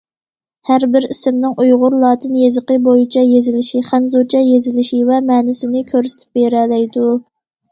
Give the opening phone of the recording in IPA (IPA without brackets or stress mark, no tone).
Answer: h